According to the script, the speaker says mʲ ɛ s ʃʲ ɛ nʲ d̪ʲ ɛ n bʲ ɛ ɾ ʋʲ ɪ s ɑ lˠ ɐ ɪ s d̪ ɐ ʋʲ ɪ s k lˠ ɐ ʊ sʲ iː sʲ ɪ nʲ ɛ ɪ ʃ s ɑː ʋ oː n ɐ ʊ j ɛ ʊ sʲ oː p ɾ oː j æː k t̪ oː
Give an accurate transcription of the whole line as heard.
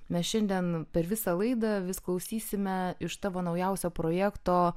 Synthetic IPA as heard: mʲ ɛ s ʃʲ ɛ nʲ d̪ʲ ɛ n pʲ ɛ ɾ ʋʲ ɪ s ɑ lˠ ɐ ɪ d̪ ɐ ʋʲ ɪ s k lˠ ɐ ʊ sʲ iː sʲ ɪ mʲ ɛ ɪ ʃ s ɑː ʋ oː n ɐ ʊ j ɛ ʊ sʲ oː p ɾ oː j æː k t̪ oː